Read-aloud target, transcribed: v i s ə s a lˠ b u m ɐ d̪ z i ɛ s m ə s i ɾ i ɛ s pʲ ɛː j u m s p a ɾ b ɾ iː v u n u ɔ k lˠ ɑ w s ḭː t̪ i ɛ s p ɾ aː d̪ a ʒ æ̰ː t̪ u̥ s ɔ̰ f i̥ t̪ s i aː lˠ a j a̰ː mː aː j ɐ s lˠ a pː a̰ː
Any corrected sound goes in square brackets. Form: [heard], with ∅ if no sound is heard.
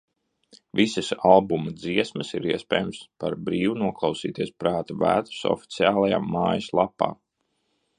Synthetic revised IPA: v i s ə s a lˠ b u m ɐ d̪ z i ɛ s m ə s i ɾ i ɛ s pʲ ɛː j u m s p a ɾ b ɾ iː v u n u ɔ k lˠ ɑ w s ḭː t̪ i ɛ s p ɾ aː [t̪] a [v] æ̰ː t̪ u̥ s ɔ̰ f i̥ t̪ s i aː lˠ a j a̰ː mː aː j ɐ s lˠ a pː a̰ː